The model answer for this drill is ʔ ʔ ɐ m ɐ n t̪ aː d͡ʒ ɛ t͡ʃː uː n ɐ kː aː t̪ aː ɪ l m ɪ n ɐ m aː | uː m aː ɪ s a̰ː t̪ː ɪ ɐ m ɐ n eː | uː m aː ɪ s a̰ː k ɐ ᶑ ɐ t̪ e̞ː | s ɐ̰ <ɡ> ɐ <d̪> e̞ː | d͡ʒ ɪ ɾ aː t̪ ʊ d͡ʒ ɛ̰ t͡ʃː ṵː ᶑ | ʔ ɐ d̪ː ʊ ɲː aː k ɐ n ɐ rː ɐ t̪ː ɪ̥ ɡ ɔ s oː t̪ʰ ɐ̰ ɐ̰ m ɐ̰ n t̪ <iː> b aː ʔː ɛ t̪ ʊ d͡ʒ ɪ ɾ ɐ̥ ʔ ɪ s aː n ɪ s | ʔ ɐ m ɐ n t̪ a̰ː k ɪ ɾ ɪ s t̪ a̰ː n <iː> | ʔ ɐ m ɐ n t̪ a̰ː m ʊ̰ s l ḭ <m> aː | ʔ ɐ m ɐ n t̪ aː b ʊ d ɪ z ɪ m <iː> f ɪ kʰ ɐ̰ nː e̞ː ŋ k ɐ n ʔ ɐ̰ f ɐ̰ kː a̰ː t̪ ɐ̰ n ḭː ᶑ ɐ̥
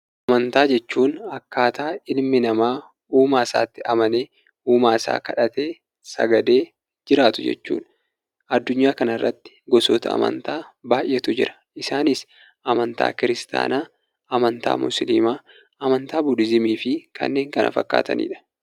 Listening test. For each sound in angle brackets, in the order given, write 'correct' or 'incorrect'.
correct, correct, incorrect: aː, incorrect: aː, correct, correct

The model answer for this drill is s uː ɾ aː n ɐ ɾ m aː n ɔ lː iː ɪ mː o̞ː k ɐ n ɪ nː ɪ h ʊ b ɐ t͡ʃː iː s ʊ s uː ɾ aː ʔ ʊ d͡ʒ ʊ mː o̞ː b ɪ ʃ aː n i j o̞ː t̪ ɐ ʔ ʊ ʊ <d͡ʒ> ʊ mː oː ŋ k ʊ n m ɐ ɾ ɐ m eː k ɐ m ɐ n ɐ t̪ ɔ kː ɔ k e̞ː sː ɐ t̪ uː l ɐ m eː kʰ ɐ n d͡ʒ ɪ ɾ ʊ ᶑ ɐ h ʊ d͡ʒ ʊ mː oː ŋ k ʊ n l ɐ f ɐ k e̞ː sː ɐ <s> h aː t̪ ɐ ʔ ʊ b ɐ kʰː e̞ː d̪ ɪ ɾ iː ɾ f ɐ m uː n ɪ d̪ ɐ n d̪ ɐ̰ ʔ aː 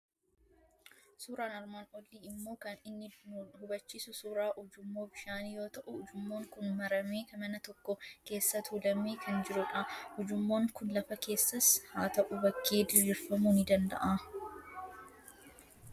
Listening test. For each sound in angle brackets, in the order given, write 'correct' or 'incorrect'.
correct, correct

